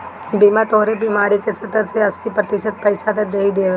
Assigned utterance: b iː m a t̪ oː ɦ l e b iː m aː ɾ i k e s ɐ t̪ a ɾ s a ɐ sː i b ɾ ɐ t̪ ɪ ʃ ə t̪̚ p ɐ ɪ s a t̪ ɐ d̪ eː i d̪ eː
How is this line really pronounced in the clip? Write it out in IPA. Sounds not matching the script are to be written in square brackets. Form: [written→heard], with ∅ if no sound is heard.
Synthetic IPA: b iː m a t̪ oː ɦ [l→ɾ] e b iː m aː ɾ i k e s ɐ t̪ [a→ə] ɾ s [a→e] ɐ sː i [b→p] ɾ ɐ t̪ ɪ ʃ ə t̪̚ p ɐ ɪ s a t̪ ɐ d̪ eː i d̪ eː